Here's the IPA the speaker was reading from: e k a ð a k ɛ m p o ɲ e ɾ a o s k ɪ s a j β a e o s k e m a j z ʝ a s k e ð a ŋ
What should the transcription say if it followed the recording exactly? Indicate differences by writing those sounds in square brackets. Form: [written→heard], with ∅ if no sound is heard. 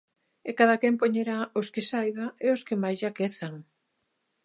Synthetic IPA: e k a ð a k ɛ m p o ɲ e ɾ a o s k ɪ s a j β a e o s k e m a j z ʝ a [s→∅] k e [ð→θ] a ŋ

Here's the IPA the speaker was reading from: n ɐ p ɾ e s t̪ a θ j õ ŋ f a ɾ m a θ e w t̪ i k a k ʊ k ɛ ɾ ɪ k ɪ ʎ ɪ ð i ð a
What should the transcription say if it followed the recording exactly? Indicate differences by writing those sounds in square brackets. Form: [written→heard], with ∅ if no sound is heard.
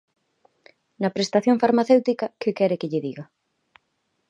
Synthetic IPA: n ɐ p ɾ e s t̪ a θ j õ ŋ f a ɾ m a θ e w t̪ i k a k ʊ k ɛ ɾ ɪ k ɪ ʎ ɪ ð i [ð→ɣ] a

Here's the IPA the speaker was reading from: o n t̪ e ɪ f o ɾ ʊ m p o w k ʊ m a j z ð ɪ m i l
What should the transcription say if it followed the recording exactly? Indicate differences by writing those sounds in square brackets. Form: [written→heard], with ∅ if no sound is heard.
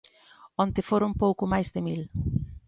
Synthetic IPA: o n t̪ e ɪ f o ɾ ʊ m p o w k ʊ m a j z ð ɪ m i l

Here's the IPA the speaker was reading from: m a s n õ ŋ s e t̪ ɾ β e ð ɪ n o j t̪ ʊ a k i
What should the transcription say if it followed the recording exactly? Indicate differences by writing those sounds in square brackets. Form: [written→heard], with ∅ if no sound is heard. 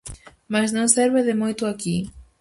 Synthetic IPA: m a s n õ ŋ s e [t̪→∅] ɾ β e ð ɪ [n→m] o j t̪ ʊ a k i

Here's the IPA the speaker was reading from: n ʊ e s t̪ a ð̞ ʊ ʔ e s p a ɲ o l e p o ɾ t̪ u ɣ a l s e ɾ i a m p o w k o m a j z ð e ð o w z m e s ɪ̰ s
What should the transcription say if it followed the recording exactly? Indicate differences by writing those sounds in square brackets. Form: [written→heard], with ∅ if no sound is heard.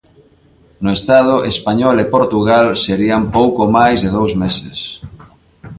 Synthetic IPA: n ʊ e s t̪ a ð̞ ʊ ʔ e s p a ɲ [o→ɔ] l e p o ɾ t̪ u ɣ a l s e ɾ i a m p o w k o m a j z ð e ð o w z m e s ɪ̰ s

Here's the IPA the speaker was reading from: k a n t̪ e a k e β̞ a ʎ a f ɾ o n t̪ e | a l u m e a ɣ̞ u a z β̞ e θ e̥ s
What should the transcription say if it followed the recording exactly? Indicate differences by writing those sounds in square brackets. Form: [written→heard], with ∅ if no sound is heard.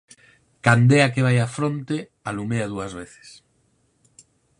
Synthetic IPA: k a n [t̪→d̪] e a k e β̞ a [ʎ→j] a f ɾ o n t̪ e | a l u m e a [ɣ̞→ð̞] u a z β̞ e θ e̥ s

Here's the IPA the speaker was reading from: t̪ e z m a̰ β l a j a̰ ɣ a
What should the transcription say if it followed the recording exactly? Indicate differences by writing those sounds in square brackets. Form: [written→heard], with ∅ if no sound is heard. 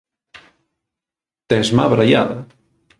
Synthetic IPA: t̪ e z m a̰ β [l→ɾ] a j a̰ [ɣ→ð] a

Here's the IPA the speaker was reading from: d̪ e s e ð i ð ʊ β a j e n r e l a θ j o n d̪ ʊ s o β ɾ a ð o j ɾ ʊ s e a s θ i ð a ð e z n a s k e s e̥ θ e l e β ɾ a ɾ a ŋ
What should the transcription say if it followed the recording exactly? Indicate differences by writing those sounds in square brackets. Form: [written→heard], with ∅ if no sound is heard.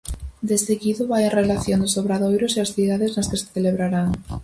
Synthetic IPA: d̪ e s e [ð→ɣ] i ð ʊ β a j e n r e l a θ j o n d̪ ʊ s o β ɾ a ð o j ɾ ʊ s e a s θ i ð a ð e z n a s k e s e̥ θ e l e β ɾ a ɾ a ŋ

